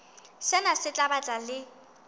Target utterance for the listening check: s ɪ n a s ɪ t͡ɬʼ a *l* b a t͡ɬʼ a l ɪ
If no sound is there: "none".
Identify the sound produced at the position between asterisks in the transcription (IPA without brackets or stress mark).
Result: none